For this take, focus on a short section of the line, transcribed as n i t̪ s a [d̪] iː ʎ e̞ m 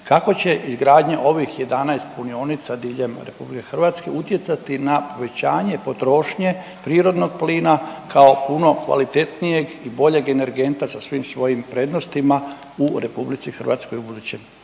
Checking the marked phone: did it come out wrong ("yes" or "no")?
no